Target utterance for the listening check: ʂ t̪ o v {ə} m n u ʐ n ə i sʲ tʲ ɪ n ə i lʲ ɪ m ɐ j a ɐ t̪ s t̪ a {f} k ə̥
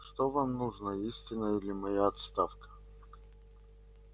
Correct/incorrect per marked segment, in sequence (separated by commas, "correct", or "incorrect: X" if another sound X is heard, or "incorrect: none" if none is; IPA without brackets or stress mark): incorrect: a, correct